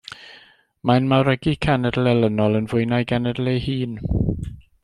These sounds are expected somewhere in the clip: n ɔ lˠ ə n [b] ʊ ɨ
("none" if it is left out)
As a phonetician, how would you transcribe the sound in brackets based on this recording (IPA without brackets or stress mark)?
v